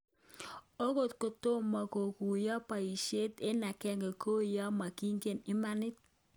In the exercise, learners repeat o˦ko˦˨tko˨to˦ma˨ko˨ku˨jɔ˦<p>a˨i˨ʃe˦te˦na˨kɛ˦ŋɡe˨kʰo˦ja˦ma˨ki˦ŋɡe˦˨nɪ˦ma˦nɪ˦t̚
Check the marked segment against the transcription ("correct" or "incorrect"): correct